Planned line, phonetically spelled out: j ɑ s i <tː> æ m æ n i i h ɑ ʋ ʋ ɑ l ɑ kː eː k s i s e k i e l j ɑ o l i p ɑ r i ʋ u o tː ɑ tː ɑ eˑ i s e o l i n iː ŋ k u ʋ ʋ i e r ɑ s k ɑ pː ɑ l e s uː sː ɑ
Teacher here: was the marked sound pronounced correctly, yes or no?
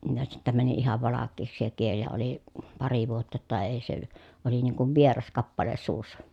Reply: yes